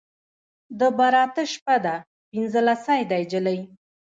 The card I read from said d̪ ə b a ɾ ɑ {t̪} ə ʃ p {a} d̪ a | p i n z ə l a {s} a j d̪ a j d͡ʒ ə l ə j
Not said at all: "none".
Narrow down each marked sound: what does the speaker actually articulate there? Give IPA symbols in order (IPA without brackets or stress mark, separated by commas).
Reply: t̪, a, s